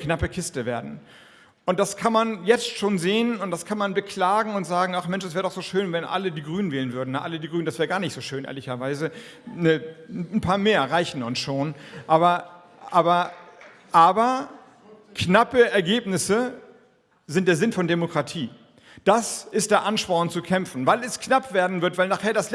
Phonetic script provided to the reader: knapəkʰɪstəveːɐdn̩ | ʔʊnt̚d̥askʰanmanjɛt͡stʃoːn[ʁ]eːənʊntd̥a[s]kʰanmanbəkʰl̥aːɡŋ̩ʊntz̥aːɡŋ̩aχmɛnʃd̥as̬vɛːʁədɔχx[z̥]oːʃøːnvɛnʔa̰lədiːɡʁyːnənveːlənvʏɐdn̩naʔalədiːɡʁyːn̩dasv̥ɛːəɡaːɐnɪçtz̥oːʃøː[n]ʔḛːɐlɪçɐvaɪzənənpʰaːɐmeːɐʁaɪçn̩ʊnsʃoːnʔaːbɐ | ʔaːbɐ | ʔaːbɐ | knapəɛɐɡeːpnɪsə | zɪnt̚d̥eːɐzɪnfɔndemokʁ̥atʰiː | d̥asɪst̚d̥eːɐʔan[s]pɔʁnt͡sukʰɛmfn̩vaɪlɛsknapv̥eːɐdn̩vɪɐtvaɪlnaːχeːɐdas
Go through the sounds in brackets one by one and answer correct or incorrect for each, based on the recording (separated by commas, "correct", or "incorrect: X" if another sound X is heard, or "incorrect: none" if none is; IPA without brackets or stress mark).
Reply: incorrect: z, correct, correct, correct, incorrect: ʃ